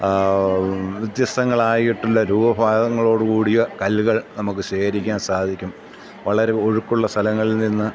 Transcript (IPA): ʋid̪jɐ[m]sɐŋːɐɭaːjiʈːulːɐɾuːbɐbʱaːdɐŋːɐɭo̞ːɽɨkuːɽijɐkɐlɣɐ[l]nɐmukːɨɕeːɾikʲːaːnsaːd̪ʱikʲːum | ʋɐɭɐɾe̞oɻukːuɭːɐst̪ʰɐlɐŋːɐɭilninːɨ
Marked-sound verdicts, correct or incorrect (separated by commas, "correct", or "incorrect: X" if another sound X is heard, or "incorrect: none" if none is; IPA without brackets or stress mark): incorrect: none, incorrect: ɭ